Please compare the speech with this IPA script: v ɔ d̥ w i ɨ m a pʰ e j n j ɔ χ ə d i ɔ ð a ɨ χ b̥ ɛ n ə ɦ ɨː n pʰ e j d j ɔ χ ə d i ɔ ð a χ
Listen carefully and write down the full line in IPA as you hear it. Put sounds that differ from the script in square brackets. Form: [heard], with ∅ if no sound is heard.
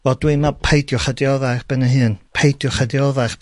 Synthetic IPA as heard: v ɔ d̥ w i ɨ m a pʰ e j [d] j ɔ χ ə d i ɔ ð a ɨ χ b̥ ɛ n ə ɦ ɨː n pʰ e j d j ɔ χ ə d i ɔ ð a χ